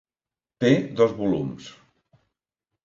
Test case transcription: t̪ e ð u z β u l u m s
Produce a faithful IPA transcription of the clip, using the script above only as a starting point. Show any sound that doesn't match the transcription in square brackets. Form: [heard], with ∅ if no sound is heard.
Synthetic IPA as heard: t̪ e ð [ɔ] z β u l u m s